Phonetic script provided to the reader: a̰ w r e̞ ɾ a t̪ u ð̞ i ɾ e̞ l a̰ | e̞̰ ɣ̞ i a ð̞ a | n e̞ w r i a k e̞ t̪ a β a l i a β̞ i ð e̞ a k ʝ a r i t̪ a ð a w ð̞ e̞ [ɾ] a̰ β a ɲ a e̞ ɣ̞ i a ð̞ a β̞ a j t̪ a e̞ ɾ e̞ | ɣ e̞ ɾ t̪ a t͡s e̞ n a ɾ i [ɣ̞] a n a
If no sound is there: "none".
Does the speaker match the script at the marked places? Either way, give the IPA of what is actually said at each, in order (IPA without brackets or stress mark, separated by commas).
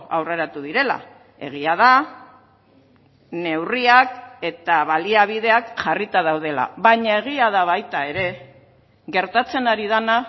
l, ð̞